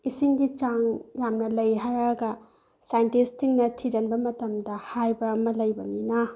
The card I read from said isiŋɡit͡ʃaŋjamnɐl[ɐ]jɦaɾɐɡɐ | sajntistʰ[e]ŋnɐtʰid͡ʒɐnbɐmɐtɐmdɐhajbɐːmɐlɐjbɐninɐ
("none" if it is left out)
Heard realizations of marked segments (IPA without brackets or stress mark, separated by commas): ɐ, i